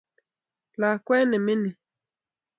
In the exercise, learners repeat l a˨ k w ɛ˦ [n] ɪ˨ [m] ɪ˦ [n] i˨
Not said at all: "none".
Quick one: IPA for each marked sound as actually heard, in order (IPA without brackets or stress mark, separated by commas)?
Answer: n, m, n